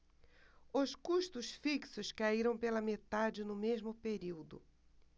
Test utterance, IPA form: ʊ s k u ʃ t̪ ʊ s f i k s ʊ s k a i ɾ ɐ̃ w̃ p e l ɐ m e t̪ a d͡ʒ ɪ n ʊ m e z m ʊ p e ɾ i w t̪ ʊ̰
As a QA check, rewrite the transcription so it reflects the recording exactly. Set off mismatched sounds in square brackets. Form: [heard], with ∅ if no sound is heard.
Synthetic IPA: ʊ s k u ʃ t̪ ʊ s f i k s ʊ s k a i ɾ ɐ̃ w̃ p e l ɐ m e t̪ a d͡ʒ ɪ n ʊ m e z m ʊ p e ɾ i w [d̪] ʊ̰